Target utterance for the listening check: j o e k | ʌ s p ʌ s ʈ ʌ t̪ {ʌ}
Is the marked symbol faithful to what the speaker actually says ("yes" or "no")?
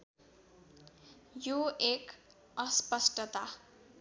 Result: no